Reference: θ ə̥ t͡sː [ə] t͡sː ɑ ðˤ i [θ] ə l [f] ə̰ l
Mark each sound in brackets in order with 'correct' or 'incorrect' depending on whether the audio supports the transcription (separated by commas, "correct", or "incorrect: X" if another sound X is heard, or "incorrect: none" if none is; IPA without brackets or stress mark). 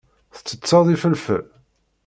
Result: correct, incorrect: f, correct